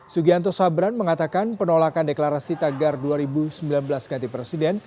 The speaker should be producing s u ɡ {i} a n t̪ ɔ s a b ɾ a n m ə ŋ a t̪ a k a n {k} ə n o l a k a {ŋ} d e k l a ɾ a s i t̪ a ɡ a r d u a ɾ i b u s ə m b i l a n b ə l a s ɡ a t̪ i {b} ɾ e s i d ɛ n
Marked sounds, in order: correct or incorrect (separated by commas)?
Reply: correct, incorrect, incorrect, incorrect